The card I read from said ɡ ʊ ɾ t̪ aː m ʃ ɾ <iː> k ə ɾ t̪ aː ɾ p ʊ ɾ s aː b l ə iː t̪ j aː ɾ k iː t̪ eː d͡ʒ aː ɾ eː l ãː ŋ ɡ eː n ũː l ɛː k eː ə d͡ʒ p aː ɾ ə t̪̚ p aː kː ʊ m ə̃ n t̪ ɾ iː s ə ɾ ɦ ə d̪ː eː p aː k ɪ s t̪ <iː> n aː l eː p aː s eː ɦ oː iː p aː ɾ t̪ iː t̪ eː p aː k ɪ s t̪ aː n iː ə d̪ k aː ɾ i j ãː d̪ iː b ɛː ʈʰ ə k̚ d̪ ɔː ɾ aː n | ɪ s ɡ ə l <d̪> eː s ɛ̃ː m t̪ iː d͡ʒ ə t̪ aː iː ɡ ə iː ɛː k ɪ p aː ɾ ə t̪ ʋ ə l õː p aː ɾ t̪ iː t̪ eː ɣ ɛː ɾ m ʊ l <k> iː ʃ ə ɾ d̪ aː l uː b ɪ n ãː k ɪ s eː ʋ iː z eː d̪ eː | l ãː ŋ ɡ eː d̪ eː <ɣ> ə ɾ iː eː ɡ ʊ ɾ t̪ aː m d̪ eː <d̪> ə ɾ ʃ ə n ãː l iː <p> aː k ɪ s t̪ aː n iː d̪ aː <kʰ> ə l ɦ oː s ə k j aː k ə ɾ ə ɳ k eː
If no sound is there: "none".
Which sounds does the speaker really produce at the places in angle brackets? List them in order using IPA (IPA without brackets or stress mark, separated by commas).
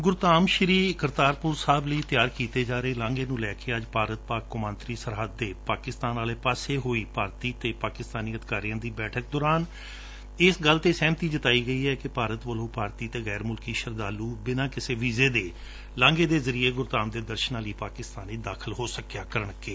iː, aː, t̪, k, z, d̪, p, kʰ